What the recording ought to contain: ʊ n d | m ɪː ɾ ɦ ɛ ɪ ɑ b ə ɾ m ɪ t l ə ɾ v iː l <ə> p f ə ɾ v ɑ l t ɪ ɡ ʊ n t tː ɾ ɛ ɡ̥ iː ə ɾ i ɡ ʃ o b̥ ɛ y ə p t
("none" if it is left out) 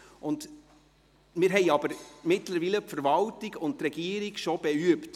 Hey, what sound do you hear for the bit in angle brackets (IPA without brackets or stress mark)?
ə